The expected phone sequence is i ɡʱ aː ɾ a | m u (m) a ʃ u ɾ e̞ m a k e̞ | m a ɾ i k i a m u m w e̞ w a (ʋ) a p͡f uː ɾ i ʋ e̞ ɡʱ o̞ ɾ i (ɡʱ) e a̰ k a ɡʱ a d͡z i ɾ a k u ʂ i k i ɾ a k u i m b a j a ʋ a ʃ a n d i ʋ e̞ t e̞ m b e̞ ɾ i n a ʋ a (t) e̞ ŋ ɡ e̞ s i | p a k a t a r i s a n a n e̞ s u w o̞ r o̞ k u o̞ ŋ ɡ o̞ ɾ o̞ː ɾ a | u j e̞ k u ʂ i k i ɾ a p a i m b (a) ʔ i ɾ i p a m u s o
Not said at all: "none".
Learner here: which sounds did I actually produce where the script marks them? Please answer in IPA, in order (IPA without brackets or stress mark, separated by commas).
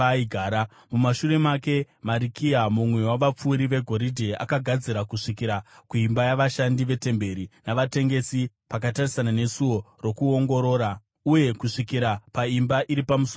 m, ʋ, dʱ, t, a